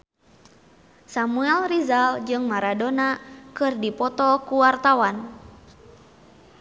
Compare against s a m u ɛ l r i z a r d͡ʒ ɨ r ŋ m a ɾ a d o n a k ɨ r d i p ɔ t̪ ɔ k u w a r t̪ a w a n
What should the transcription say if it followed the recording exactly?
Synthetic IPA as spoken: s a m u ɛ l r i z a l d͡ʒ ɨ ŋ m a ɾ a d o n a k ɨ r d i p ɔ t̪ ɔ k u w a r t̪ a w a n